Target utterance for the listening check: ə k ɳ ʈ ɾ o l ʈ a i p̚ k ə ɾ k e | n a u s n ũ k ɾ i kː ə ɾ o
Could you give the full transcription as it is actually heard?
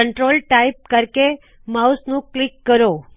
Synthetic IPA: ə ɳ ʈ ɾ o l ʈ a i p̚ k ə ɾ k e | m a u s n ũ k l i kː ə ɾ o